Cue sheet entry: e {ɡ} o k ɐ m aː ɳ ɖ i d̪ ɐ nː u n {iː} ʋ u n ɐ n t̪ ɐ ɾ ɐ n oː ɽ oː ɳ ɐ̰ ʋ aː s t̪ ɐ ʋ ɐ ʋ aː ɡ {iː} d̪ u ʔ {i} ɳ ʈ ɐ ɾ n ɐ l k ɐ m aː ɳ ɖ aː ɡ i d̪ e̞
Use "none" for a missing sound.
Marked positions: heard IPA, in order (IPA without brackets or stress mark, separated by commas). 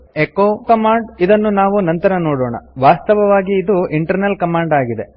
k, aː, iː, i